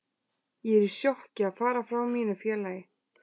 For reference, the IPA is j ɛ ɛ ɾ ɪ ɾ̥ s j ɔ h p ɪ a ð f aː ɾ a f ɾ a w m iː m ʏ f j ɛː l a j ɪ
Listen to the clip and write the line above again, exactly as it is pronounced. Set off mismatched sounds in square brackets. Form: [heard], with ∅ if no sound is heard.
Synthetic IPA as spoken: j ɛ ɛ ɾ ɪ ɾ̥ s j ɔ h [c] ɪ a ð f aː ɾ a f ɾ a w m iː [n] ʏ f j ɛː l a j ɪ